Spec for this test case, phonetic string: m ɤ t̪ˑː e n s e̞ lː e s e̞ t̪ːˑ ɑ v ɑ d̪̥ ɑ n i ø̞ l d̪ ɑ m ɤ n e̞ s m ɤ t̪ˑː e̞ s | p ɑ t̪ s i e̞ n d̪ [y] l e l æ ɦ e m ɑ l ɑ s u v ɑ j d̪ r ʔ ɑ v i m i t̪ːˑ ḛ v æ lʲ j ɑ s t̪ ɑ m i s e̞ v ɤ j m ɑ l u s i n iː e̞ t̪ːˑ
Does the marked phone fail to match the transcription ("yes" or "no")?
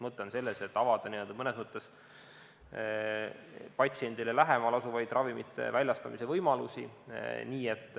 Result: yes